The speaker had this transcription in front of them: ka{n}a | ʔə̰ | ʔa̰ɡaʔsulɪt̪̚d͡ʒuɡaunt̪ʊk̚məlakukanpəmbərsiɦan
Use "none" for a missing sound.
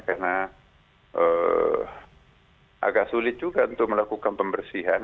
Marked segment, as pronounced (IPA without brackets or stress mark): n